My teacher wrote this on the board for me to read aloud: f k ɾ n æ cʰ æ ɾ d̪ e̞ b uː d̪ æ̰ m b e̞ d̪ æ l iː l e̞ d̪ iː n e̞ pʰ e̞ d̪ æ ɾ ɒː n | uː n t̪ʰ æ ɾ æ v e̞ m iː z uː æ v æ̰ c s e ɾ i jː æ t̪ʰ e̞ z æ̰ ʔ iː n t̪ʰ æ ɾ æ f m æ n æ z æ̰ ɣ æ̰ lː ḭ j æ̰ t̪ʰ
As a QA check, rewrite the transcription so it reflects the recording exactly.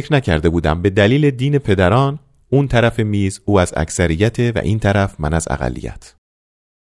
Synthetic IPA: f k ɾ n æ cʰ æ ɾ d̪ e̞ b uː d̪ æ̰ m b e̞ d̪ æ l iː l e̞ d̪ iː n e̞ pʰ e̞ d̪ æ ɾ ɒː n | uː n t̪ʰ æ ɾ æ f e̞ m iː z uː æ z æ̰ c s æ ɾ i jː æ t̪ʰ e̞ v æ̰ ʔ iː n t̪ʰ æ ɾ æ f m æ n æ z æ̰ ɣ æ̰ lː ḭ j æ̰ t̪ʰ